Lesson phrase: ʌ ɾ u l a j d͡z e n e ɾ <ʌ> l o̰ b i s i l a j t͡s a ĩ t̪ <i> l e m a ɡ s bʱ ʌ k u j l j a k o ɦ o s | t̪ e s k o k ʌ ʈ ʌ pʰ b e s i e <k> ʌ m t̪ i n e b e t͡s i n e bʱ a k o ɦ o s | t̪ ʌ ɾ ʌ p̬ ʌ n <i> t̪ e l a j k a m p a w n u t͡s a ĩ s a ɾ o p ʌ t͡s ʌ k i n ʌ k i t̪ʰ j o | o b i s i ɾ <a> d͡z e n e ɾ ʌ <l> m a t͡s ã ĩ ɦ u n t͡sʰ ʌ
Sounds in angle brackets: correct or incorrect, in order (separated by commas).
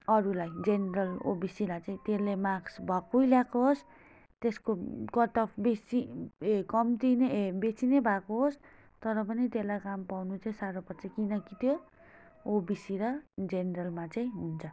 correct, incorrect, correct, correct, incorrect, correct